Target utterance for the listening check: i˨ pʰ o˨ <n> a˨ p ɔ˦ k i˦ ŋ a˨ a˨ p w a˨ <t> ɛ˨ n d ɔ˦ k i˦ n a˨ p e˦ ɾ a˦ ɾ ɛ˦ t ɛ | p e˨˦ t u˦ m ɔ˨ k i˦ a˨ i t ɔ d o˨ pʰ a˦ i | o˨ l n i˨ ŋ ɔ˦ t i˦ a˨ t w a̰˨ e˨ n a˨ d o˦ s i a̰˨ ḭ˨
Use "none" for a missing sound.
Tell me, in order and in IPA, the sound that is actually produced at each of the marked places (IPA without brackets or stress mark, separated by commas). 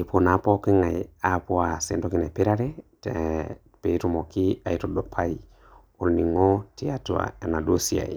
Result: n, s